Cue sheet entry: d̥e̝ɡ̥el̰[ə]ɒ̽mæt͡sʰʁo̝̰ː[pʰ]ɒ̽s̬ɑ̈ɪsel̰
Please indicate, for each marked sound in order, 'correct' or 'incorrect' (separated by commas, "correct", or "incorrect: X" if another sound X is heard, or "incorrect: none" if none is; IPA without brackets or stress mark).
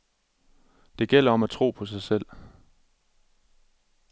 incorrect: ɐ, correct